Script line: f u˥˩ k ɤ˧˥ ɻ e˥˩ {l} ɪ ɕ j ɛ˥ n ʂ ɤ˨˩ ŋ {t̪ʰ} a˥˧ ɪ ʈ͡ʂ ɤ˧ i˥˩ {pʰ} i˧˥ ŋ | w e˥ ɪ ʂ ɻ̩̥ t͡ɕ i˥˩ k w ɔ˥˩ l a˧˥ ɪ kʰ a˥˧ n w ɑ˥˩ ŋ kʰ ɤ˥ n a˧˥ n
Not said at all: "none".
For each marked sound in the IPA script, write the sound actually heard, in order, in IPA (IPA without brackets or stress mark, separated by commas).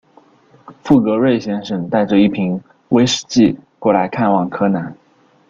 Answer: none, t̪, pʰ